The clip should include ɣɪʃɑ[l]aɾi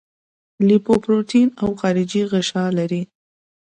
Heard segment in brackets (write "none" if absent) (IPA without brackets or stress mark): l